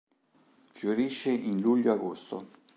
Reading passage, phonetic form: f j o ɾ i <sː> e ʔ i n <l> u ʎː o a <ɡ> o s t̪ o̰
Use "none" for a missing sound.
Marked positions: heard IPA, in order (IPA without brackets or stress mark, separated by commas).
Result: ʃː, l, ɡ